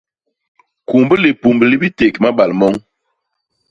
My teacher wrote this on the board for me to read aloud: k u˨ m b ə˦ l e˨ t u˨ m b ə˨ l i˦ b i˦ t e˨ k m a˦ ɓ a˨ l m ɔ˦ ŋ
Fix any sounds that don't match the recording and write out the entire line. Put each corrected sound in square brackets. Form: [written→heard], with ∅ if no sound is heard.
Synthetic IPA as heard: k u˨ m b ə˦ l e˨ [t→p] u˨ m b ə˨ l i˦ b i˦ t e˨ k m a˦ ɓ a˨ l m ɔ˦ ŋ